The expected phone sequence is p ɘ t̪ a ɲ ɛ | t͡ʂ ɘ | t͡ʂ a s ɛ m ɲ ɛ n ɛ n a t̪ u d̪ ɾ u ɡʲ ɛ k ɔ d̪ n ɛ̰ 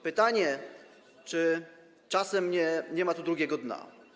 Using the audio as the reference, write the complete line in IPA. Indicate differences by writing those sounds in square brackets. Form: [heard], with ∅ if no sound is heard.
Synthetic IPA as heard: p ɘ t̪ a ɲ ɛ | t͡ʂ ɘ | t͡ʂ a s ɛ m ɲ ɛ [ɲ] ɛ [m] a t̪ u d̪ ɾ u ɡʲ ɛ [ɡ] ɔ d̪ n [a̰]